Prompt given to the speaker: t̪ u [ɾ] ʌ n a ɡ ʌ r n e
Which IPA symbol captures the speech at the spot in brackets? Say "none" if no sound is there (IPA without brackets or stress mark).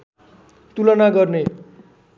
l